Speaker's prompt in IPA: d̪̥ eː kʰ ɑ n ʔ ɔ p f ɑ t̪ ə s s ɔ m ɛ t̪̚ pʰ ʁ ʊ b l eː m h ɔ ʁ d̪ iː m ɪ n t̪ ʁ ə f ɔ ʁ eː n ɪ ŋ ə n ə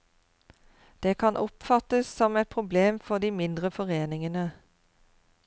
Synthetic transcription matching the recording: d̪̥ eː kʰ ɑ n ʔ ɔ p f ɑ t̪ ə s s ɔ m ɛ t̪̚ pʰ ʁ ʊ b l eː m f ɔ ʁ d̪ iː m ɪ n d̪ ʁ ə f ɔ ʁ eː n ɪ ŋ ə n ə